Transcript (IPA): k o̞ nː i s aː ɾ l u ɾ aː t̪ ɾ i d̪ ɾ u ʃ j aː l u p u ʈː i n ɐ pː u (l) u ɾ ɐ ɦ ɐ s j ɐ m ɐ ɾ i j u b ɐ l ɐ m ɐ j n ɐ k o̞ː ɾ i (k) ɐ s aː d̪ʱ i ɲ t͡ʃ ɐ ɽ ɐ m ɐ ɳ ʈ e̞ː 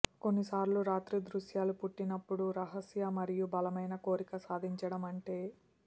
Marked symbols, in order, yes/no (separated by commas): no, yes